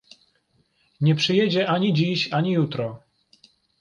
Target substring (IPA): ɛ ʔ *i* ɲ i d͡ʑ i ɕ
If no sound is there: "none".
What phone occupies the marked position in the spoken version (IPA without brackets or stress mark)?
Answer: a